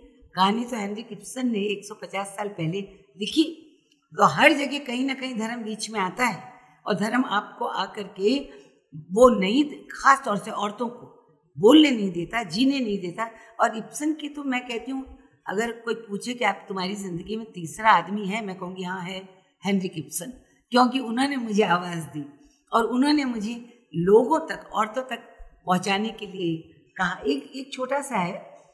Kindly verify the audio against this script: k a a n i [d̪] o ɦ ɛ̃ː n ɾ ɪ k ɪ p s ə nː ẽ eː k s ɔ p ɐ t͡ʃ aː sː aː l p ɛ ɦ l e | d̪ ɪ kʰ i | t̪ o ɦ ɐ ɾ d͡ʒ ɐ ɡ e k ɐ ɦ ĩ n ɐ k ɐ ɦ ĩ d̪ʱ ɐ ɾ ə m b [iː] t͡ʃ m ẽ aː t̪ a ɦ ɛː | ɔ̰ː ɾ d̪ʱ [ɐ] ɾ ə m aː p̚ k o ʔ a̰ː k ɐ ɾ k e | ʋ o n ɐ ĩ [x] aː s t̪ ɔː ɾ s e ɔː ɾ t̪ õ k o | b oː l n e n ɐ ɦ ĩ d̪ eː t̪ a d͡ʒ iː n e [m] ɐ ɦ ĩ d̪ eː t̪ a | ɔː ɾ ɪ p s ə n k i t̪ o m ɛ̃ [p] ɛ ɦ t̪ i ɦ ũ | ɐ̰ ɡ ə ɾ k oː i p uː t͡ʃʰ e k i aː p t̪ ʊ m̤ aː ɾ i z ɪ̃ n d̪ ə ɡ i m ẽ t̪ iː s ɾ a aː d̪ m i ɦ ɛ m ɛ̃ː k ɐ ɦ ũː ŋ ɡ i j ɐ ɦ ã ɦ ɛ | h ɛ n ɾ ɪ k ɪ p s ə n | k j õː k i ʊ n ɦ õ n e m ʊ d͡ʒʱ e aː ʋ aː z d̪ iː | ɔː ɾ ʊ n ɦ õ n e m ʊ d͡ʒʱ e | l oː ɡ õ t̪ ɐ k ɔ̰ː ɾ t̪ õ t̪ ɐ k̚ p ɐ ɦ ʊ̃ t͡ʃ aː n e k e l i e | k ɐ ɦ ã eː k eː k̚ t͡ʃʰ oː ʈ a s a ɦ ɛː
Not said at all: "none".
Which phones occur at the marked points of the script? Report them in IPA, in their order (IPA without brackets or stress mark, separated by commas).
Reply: t̪, iː, ɐ, x, n, k